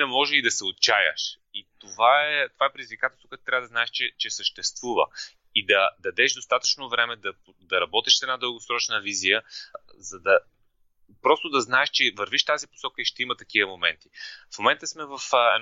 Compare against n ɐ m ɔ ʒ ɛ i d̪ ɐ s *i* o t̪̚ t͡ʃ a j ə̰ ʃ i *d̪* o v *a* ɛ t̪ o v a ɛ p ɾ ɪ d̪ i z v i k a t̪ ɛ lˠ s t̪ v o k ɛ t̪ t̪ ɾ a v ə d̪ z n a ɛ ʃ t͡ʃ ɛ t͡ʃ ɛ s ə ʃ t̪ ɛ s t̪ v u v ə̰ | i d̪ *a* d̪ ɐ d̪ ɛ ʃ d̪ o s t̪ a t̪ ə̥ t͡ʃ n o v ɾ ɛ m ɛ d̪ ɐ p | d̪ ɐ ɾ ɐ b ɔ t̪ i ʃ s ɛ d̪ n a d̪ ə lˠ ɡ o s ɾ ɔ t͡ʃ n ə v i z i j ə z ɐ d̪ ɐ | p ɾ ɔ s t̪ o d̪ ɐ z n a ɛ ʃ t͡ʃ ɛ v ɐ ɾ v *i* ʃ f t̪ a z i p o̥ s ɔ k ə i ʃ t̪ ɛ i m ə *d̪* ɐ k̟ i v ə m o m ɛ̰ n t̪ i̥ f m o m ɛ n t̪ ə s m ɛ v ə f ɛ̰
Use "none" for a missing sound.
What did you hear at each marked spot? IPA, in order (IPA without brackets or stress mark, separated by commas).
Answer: ɛ, t̪, a, ɐ, i, t̪